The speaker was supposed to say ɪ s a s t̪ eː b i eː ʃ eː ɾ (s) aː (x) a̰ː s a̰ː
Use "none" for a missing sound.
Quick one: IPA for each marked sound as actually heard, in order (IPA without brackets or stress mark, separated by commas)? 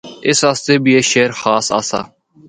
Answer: x, s